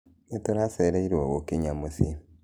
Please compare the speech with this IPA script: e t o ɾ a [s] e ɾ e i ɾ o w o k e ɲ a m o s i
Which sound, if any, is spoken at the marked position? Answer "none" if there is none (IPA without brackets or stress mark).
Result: s